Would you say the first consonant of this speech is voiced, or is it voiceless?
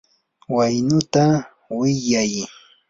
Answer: voiced